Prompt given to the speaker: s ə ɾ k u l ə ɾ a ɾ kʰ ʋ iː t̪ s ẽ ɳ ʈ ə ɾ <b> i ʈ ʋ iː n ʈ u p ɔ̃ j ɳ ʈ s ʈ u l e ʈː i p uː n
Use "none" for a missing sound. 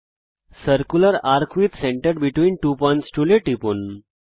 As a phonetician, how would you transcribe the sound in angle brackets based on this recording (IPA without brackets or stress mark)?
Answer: b